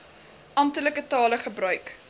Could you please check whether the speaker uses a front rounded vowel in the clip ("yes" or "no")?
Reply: yes